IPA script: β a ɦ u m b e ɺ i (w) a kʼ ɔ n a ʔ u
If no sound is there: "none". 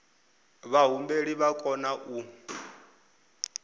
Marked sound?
β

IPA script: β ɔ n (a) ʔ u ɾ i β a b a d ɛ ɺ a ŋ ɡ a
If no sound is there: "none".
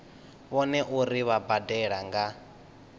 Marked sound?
ɛ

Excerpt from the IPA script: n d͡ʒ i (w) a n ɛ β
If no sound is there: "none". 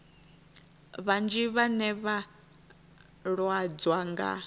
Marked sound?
β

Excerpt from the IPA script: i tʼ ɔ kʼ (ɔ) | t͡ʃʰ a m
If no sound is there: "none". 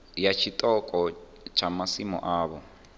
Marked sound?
ɔ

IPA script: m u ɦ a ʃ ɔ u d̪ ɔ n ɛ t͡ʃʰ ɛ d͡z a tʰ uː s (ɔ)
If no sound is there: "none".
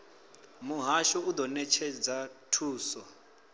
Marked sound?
ɔ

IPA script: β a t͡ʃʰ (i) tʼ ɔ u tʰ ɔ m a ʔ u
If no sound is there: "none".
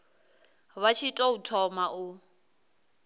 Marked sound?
i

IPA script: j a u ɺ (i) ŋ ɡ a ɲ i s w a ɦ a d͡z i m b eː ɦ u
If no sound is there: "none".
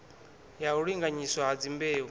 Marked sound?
i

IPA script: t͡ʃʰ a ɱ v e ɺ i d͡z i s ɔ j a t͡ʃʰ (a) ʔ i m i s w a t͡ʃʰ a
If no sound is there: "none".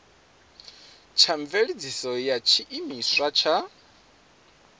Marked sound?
i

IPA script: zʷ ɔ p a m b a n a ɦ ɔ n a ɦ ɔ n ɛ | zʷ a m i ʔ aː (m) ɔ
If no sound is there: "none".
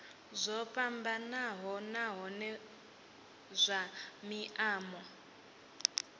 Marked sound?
m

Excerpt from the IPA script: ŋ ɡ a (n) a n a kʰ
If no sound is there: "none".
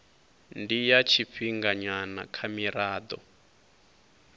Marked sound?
ɲ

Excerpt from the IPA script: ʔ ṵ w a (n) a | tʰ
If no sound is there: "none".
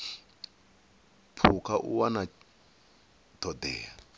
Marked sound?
n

